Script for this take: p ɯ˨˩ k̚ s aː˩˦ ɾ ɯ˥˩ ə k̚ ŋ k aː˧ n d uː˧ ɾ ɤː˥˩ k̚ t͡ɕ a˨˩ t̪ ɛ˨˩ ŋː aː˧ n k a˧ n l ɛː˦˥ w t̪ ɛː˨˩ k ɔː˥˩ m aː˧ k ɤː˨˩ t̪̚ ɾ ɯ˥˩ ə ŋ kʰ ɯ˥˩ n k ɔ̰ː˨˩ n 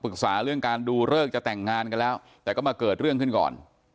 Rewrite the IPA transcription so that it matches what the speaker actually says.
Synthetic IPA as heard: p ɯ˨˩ k̚ s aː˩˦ ɾ ɯ˥˩ ə ŋ k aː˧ n d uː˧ ɾ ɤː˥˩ k̚ t͡ɕ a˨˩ t̪ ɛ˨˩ ŋː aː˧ n k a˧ n l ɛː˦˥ w t̪ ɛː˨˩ k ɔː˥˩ m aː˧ k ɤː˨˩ t̪̚ ɾ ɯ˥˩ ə ŋ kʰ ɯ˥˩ n k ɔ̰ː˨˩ n